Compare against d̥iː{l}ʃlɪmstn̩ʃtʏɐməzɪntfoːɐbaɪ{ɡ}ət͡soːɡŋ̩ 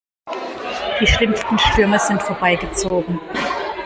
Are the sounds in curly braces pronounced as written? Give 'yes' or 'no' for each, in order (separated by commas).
no, yes